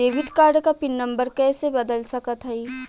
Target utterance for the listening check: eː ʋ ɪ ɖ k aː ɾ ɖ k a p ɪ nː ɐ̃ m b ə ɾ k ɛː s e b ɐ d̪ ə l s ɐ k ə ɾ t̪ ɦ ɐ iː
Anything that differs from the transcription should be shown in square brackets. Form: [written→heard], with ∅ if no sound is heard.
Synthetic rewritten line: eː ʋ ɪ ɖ k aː ɾ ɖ k a p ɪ nː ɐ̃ m b ə ɾ k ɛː s e b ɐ d̪ ə l s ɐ k ə [ɾ→∅] t̪ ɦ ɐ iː